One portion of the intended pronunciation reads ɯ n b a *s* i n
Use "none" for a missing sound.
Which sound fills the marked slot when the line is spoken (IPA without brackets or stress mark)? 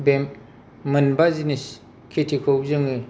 z